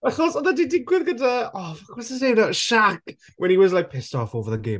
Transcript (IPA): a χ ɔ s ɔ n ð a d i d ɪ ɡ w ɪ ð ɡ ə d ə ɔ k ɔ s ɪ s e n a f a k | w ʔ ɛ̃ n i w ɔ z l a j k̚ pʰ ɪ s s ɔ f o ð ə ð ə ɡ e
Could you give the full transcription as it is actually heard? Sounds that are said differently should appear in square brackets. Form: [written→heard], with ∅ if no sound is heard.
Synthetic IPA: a χ ɔ s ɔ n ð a d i d ɪ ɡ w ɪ ð ɡ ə d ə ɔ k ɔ s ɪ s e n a [f→ʃ] a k | w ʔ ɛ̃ n i w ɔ z l a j k̚ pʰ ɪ s [s→t] ɔ f o [ð→v] ə ð ə ɡ e

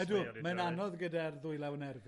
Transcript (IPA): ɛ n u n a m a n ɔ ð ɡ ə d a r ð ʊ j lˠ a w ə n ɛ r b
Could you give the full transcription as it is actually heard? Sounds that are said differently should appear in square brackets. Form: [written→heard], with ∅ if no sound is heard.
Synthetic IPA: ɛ [n→d] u [n→m] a [m→n] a n ɔ ð ɡ ə d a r ð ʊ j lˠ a w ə n ɛ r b

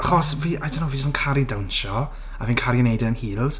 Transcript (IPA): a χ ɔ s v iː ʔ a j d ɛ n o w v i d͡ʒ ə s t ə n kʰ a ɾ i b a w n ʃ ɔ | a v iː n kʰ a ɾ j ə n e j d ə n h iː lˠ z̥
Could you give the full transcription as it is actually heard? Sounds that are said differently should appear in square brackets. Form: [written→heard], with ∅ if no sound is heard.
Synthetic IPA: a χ ɔ s v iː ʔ a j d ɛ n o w v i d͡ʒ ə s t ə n kʰ a ɾ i [b→d] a w n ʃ ɔ | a v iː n kʰ a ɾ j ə n e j d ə n h iː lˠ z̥

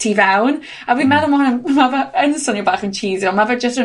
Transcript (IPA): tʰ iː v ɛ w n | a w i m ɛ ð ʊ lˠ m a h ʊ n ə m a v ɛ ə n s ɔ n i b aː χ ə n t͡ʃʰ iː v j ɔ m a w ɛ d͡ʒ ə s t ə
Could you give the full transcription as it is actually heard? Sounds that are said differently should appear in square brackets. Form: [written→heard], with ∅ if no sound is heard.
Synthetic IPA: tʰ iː v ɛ w n | a w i m ɛ ð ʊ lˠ m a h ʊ n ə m a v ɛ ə n s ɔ n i b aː χ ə n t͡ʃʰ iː [v→z] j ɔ m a [w→v] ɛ d͡ʒ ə s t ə

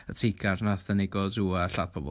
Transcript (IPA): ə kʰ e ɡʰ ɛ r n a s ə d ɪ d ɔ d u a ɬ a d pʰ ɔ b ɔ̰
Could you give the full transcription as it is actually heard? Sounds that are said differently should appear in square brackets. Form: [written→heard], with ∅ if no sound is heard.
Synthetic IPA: ə [kʰ→tʰ] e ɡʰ [ɛ→a] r n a [s→θ] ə [d→n] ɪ [d→ɡ] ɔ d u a ɬ a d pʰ ɔ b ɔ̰

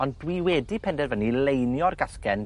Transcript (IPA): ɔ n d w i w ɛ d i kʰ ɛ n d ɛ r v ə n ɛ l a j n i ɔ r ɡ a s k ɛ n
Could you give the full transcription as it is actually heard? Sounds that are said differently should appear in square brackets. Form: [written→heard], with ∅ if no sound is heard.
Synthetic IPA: ɔ n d w i w ɛ d i [kʰ→pʰ] ɛ n d ɛ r v ə n [ɛ→i] l [a→e] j n [i→j] ɔ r ɡ a s k ɛ n

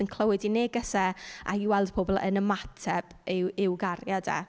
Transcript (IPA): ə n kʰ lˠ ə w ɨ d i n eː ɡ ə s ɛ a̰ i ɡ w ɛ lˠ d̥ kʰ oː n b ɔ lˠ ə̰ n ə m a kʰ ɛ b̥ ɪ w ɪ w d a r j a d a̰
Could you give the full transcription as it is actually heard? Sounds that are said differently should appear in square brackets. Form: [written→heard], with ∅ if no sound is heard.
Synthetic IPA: ə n kʰ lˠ ə w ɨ d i n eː ɡ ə s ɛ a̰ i [ɡ→∅] w ɛ lˠ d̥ [kʰ→pʰ] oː [n→∅] b ɔ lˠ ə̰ n ə m a [kʰ→tʰ] ɛ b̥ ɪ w ɪ w [d→ɡ] a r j a d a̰

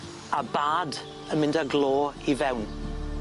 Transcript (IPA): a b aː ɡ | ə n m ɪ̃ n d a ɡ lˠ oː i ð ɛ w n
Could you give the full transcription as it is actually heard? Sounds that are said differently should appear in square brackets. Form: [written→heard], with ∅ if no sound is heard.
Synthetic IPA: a b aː [ɡ→d] | ə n m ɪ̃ n d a ɡ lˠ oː i [ð→v] ɛ w n

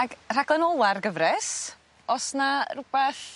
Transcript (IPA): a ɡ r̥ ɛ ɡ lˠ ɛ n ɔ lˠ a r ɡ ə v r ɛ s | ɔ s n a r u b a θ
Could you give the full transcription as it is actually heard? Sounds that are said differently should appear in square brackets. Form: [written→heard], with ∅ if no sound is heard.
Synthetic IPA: a ɡ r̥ [ɛ→a] ɡ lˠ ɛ n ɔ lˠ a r ɡ ə v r ɛ s | ɔ s n a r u b [a→ɛ] θ

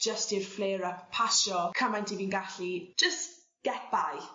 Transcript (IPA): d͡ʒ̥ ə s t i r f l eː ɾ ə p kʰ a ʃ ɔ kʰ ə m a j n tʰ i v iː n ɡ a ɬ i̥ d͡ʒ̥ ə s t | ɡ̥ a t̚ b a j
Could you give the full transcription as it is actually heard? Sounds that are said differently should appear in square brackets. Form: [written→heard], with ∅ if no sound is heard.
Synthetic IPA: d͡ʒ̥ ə s t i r f l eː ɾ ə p [kʰ→pʰ] a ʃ ɔ kʰ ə m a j n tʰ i v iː n ɡ a ɬ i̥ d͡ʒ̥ ə s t | ɡ̥ [a→ɛ] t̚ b a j

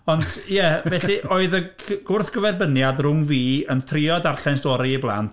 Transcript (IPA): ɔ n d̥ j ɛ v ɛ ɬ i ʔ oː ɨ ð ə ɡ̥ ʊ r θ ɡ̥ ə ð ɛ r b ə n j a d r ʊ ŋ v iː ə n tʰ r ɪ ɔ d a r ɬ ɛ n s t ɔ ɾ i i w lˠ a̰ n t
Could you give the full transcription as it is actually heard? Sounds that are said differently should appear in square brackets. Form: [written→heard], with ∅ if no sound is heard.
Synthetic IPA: ɔ n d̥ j ɛ v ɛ ɬ i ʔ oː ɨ ð ə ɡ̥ ʊ r θ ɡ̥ ə [ð→v] ɛ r b ə n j a d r ʊ ŋ v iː ə n tʰ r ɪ ɔ d a r ɬ ɛ n s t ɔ ɾ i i [w→b] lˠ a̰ n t

